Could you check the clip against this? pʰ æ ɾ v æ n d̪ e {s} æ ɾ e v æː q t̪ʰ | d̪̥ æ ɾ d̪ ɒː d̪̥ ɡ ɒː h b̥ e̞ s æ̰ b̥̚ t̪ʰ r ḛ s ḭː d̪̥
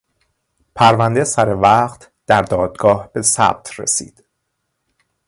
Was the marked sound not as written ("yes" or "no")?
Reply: no